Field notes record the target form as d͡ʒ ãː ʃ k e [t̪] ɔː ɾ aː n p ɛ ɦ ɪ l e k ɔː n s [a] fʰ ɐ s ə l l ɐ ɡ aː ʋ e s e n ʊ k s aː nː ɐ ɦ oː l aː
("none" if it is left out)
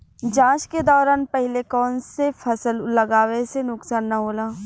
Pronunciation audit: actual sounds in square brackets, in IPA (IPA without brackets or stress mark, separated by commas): d̪, e